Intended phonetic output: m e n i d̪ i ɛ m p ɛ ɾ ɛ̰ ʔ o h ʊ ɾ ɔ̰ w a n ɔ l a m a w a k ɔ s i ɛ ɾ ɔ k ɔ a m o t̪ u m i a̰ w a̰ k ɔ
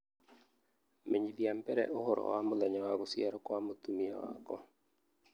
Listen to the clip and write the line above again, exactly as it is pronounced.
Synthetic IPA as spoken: m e ɲ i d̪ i a m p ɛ ɾ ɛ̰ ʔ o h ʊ ɾ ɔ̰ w a m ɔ l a ɲ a w a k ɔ s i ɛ ɾ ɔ k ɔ a m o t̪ u m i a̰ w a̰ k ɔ